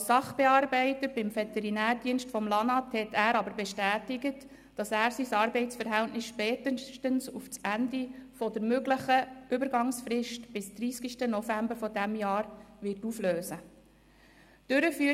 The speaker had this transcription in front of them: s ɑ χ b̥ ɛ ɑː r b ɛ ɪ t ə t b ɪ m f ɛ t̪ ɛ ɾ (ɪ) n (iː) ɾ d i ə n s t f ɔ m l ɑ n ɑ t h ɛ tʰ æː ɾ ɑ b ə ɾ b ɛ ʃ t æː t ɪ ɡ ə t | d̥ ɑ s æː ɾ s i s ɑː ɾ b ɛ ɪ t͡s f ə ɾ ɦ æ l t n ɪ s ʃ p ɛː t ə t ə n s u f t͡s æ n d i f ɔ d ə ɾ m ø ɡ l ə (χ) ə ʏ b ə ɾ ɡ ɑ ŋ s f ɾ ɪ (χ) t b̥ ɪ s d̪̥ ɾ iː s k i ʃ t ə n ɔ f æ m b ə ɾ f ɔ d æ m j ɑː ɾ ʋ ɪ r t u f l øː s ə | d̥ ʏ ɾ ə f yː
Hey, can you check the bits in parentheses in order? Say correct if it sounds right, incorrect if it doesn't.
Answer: incorrect: i, incorrect: æː, correct, incorrect: ʃ

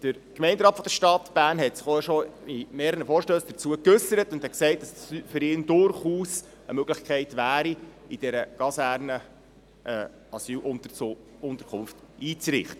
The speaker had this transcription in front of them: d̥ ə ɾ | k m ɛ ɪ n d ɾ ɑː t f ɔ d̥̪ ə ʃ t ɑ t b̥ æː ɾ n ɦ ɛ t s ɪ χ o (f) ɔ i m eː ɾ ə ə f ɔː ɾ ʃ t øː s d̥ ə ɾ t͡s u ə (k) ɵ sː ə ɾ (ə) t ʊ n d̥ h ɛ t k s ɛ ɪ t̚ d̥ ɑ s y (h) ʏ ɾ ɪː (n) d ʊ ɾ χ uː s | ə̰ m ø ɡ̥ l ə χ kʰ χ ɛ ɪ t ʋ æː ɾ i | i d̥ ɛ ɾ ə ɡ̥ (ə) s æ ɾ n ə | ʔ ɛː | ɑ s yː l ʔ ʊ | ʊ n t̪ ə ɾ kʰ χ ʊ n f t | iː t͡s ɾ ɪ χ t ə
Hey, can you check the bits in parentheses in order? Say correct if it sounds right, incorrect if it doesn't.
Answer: incorrect: ʃ, correct, correct, incorrect: f, correct, incorrect: ɑ

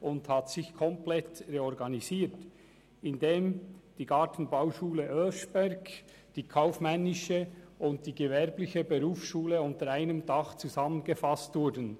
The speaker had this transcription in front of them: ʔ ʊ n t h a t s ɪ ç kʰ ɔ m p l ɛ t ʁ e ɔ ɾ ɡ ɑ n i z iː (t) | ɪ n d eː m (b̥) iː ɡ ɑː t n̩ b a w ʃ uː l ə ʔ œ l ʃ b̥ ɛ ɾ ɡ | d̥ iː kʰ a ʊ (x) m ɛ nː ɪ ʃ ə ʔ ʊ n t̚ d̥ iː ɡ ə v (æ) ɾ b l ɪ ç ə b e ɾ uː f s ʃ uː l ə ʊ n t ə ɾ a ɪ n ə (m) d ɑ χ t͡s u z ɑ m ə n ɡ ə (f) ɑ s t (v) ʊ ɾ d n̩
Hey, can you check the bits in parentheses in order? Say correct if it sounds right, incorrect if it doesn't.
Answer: correct, incorrect: d̥, incorrect: f, incorrect: ɛ, correct, correct, correct

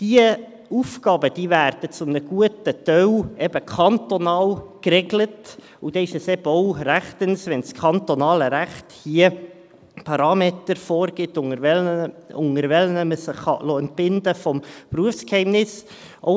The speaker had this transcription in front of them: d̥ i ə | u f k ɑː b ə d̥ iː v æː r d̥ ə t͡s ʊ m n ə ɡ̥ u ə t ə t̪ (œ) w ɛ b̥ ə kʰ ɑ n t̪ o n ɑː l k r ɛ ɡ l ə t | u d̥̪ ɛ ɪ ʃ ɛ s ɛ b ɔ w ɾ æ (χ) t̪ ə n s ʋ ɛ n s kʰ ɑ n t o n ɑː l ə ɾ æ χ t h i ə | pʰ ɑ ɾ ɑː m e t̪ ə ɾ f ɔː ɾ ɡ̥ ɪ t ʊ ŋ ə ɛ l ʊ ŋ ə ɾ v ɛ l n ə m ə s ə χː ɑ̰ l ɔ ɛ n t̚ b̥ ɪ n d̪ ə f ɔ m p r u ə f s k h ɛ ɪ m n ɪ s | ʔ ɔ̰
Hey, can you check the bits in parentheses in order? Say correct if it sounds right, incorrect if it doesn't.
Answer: correct, correct

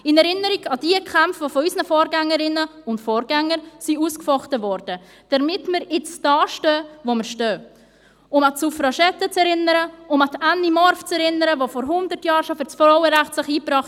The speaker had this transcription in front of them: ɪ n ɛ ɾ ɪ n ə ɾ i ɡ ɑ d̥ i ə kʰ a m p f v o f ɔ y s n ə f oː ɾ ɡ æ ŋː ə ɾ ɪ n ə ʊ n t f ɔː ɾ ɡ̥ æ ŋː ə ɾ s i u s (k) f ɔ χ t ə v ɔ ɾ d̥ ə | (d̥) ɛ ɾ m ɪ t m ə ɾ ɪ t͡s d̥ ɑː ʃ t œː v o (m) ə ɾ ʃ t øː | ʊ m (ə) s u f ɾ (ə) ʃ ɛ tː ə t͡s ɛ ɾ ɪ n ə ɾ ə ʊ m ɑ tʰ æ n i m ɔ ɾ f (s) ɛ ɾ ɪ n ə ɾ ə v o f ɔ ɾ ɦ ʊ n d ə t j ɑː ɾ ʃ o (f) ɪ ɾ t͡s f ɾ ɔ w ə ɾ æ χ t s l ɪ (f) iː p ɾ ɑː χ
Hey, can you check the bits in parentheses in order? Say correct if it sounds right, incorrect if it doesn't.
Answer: correct, correct, correct, incorrect: ɑ, incorrect: ɑ, incorrect: t͡s, correct, incorrect: χ

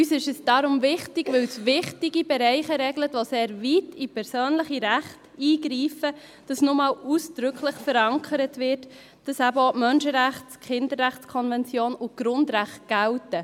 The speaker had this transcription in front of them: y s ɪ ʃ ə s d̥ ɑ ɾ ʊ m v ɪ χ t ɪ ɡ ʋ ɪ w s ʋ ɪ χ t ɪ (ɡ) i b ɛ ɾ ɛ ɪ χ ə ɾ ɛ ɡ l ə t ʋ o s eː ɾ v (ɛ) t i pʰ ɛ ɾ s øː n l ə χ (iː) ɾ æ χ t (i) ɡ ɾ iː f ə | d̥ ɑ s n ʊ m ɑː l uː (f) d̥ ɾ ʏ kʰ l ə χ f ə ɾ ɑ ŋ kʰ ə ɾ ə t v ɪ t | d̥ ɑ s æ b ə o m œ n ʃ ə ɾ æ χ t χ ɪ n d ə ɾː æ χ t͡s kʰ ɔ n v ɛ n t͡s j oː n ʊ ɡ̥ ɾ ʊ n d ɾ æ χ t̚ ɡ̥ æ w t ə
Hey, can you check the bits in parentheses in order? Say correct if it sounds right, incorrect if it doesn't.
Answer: correct, incorrect: i, incorrect: i, incorrect: iː, incorrect: s

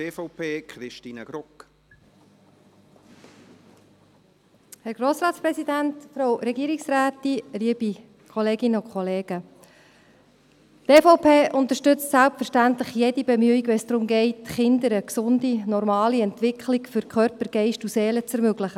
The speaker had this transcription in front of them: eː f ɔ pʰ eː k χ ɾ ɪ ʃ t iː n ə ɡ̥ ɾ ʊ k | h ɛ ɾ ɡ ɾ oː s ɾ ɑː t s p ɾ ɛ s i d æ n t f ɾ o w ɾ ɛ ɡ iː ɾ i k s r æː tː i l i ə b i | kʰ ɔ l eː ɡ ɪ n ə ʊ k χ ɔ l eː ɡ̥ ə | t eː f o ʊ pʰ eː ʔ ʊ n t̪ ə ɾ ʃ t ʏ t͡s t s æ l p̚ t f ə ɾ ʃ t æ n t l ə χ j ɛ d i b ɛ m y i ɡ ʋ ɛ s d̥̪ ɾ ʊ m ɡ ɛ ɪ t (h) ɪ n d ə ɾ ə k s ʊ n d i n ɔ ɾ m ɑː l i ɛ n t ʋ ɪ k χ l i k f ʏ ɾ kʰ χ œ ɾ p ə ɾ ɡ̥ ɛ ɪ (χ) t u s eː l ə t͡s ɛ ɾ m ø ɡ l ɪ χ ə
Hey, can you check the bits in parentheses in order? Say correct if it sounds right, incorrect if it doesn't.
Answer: incorrect: χ, incorrect: ʃ

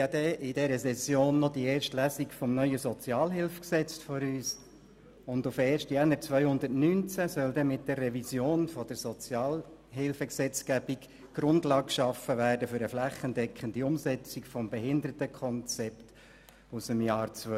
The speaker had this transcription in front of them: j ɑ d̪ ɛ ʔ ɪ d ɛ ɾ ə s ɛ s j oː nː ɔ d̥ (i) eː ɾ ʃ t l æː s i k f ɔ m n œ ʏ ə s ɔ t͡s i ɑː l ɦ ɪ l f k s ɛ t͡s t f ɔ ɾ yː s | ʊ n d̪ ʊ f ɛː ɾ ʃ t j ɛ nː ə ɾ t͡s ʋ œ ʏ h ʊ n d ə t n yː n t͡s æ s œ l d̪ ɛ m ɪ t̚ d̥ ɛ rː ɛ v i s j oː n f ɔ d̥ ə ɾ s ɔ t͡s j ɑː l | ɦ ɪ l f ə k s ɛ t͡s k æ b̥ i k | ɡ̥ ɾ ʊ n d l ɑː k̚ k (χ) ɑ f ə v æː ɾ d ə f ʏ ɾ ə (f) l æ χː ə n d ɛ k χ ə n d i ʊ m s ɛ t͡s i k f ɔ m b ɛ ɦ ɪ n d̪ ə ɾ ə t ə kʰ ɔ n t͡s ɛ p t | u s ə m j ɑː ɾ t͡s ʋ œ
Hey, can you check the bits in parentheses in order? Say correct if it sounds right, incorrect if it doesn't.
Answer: correct, incorrect: ʃ, correct

